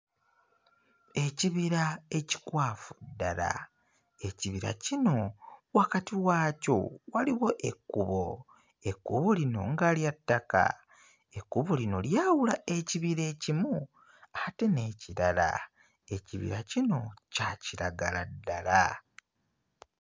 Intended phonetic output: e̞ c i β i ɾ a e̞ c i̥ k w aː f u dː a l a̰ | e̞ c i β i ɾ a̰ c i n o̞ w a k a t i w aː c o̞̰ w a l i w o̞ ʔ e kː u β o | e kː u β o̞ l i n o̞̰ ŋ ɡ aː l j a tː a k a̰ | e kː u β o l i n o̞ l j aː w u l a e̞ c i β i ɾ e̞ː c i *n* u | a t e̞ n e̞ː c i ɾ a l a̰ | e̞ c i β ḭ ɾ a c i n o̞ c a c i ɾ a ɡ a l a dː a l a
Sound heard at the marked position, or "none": m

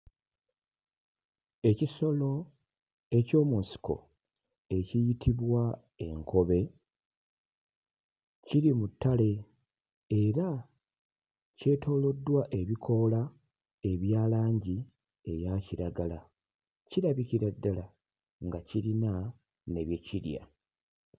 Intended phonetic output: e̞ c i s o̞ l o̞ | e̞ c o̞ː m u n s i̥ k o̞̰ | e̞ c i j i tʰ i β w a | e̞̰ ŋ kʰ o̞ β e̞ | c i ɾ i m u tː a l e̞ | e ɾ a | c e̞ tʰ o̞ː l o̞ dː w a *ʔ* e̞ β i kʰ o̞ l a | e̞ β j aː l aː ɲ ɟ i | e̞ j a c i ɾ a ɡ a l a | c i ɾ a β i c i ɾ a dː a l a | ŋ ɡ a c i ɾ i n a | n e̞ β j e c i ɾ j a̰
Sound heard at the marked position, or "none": ʔ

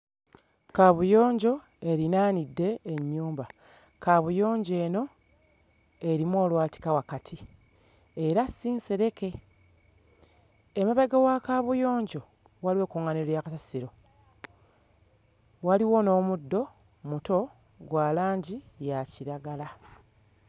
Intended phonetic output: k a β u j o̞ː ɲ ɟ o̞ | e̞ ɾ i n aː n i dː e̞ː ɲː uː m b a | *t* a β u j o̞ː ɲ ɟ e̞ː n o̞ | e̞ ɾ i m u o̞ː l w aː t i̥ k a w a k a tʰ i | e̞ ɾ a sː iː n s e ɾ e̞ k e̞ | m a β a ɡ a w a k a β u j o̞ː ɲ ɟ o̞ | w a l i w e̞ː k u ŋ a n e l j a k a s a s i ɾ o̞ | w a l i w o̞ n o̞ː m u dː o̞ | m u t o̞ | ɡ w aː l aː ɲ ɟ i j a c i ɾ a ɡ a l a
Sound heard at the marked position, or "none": k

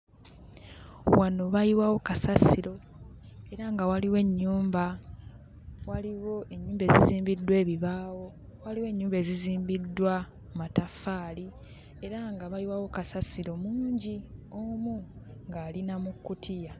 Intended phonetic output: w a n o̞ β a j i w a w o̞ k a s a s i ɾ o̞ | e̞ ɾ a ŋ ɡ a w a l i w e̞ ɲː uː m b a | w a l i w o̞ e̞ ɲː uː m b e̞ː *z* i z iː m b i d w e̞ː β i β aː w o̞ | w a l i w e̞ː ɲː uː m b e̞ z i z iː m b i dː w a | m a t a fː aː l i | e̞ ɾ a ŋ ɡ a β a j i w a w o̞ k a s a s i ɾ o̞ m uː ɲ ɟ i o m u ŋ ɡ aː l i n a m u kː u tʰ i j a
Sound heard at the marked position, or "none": z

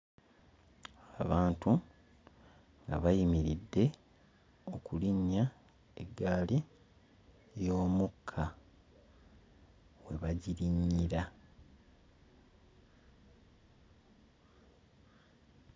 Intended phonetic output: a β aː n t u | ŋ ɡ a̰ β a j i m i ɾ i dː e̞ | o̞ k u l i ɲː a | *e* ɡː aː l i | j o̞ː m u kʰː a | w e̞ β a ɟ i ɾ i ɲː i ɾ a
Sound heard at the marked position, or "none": e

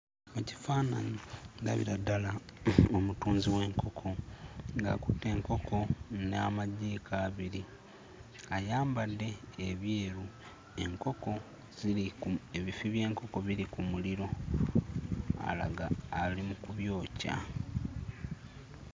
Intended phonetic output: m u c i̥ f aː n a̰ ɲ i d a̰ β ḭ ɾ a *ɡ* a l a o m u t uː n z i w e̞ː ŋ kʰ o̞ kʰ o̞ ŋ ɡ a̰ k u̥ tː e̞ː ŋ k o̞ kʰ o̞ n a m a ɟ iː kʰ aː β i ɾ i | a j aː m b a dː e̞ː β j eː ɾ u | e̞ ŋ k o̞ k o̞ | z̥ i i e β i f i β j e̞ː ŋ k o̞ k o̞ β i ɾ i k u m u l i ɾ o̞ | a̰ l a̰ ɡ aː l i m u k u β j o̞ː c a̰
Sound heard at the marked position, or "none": d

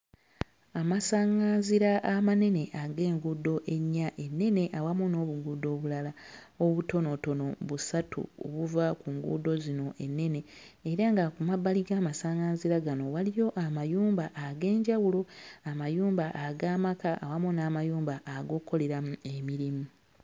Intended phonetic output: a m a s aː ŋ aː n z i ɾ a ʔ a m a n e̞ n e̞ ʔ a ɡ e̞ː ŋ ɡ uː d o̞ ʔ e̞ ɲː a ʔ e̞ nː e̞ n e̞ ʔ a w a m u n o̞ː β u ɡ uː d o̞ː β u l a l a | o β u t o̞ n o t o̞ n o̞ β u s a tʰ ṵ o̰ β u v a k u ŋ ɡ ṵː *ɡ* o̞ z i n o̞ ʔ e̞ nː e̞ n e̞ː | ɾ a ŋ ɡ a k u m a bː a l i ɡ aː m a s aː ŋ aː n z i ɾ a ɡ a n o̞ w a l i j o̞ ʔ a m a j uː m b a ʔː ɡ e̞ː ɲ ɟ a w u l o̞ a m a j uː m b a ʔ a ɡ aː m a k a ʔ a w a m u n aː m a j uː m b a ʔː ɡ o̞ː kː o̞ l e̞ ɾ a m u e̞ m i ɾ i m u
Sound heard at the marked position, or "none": d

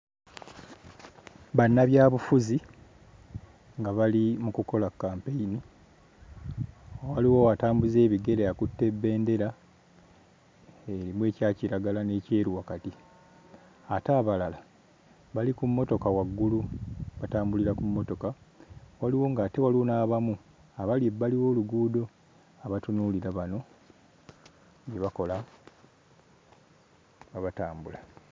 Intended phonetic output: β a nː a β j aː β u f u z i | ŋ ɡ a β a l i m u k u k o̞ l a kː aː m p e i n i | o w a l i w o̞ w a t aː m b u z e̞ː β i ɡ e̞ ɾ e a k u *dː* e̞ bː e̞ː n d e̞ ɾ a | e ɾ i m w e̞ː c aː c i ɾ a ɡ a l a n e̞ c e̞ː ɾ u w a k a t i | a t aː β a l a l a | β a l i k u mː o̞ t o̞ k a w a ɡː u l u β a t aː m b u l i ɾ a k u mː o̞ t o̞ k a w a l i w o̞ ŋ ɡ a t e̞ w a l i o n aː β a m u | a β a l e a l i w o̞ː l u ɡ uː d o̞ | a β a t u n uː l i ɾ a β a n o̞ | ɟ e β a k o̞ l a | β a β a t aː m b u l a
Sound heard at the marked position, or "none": tː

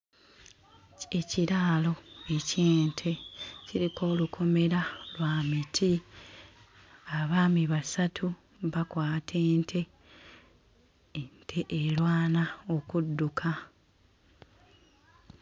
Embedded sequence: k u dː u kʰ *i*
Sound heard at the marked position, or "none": a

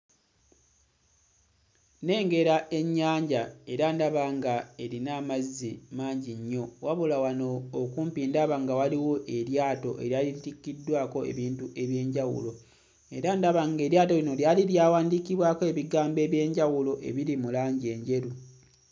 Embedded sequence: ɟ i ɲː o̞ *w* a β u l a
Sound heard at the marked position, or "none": w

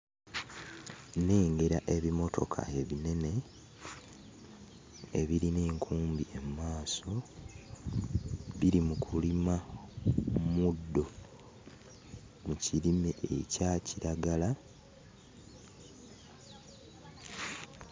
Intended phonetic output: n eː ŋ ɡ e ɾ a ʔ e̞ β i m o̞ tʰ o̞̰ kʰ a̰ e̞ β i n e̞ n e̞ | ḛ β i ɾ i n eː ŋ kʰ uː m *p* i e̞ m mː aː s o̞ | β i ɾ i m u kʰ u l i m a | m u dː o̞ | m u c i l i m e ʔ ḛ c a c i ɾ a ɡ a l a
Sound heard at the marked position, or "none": b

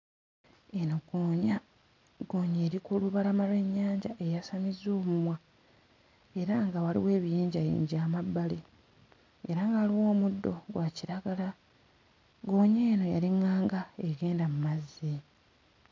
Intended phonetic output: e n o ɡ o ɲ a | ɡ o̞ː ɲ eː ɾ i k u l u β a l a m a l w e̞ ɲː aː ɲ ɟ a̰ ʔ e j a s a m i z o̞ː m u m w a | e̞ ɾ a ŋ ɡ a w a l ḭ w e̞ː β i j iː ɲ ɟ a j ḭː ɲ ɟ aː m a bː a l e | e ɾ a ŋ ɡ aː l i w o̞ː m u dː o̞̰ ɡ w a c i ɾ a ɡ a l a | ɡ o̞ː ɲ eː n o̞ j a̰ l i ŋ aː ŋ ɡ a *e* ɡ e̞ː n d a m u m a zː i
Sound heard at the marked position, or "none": e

